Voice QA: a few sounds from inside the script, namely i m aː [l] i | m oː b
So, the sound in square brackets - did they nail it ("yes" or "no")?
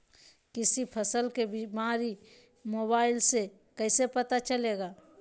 no